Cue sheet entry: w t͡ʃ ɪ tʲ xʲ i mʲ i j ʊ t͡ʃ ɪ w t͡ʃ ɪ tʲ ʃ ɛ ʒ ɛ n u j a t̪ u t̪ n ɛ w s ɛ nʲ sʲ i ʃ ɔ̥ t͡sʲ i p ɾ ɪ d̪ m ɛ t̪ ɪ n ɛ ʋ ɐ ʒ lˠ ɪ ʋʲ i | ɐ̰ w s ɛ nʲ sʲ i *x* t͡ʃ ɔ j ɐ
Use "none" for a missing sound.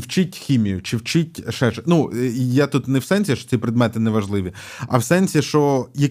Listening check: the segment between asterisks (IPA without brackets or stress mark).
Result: ʃ